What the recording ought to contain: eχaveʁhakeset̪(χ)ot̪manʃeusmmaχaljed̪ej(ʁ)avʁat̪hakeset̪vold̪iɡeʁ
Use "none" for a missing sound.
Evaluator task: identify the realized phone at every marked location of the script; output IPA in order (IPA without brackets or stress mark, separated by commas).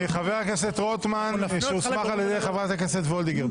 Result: ʁ, χ